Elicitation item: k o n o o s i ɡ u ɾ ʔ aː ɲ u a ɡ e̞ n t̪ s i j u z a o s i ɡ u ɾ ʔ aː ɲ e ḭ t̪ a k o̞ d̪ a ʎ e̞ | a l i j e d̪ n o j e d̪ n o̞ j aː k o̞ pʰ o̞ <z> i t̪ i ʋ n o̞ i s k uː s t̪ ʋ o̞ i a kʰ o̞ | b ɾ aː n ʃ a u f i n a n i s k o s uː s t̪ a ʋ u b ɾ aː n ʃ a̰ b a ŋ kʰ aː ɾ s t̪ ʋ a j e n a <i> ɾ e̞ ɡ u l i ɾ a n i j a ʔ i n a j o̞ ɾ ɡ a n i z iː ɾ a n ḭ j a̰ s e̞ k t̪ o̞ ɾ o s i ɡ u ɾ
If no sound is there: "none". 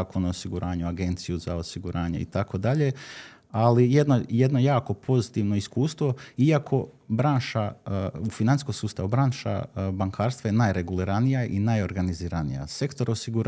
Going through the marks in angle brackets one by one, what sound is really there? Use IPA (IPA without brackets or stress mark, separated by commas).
z, j